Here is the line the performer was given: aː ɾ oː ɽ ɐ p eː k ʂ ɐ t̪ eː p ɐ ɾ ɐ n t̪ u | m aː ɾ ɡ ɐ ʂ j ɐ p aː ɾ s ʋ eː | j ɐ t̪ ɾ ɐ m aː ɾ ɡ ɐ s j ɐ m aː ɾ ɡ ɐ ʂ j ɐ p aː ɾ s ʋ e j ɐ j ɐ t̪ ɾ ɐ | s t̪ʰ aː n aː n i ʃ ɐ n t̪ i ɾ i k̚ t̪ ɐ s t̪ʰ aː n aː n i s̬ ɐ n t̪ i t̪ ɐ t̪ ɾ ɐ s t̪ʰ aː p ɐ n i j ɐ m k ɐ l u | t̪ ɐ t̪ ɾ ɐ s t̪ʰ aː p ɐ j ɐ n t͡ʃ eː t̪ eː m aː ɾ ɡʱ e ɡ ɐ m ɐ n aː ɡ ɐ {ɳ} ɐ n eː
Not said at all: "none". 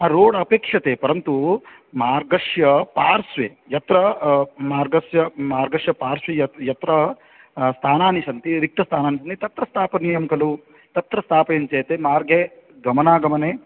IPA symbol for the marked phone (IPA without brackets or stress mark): m